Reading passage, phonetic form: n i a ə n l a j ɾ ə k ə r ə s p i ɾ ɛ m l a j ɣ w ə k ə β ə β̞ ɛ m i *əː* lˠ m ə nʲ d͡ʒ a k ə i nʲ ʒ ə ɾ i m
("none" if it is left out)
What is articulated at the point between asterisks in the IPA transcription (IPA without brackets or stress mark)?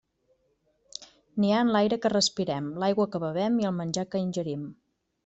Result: ə